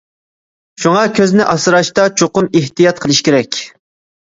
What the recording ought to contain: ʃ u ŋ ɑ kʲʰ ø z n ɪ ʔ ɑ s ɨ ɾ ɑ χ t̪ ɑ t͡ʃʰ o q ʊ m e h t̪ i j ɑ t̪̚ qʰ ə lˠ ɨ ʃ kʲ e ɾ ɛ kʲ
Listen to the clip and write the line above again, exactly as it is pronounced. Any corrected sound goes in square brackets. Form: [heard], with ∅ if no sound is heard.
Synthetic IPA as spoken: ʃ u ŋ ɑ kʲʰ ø z n ɪ ʔ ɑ s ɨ ɾ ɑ [ʃ] t̪ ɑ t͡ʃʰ o q ʊ m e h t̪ i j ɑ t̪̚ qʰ ə lˠ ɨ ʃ kʲ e ɾ ɛ kʲ